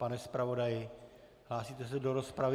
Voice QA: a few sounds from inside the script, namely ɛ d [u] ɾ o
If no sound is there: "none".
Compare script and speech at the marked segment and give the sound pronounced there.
o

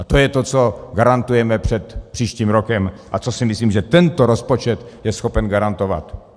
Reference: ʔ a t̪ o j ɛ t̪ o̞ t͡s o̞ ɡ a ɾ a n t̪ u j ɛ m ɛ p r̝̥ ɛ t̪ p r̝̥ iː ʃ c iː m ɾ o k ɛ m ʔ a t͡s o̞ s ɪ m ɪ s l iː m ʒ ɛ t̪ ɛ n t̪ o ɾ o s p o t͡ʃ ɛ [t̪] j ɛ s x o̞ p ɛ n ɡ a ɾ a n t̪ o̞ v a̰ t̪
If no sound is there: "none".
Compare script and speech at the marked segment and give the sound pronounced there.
t̪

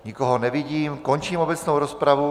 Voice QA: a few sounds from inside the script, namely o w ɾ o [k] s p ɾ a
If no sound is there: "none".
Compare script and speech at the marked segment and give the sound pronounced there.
none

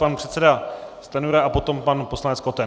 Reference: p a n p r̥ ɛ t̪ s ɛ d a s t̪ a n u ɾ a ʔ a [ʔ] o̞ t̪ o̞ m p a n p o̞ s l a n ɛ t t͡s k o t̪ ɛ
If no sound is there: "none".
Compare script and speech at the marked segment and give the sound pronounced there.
p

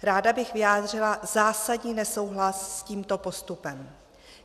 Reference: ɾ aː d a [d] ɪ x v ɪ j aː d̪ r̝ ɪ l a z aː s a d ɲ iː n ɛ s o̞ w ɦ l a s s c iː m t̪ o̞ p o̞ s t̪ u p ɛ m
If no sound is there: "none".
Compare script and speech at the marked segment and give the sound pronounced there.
b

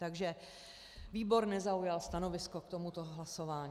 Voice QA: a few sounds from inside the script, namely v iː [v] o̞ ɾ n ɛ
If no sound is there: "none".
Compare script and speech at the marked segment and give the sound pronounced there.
b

